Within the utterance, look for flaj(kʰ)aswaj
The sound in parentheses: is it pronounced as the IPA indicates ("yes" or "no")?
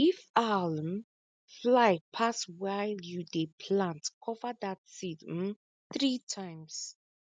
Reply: no